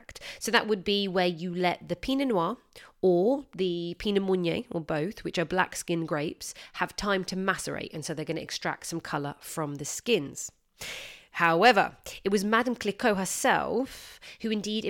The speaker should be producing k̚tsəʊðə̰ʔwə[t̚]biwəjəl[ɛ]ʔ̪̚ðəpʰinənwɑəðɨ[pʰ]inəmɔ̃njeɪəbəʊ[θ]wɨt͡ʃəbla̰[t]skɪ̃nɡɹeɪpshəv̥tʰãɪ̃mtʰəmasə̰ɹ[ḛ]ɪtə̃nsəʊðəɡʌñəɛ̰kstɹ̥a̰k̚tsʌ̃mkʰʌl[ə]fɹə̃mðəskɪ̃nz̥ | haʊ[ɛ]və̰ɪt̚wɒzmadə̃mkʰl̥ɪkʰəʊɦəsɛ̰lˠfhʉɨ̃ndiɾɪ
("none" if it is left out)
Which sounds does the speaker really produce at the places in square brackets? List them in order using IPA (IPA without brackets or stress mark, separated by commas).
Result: d̚, ɛ, pʰ, θ, k, ḛ, ə, ɛ